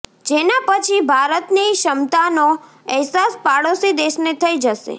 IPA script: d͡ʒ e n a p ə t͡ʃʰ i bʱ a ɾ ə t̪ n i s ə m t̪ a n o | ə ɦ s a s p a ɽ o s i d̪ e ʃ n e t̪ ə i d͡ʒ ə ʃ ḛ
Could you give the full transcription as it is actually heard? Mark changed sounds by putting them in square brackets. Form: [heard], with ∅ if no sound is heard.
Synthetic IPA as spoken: d͡ʒ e n a p ə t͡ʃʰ i bʱ a ɾ ə t̪ n i [ʃ] ə m t̪ a n o | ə ɦ s a s p a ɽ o s i d̪ e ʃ n e [t̪ʰ] ə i d͡ʒ ə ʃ ḛ